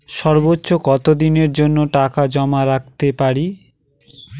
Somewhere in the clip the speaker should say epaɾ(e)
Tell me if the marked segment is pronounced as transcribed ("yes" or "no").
no